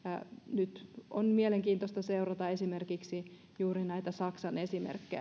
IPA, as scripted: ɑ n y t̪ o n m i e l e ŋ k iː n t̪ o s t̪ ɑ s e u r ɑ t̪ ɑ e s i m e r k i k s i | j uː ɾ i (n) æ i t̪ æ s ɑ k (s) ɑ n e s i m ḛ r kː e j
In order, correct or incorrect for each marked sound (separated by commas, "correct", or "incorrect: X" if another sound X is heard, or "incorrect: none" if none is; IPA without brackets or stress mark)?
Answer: correct, correct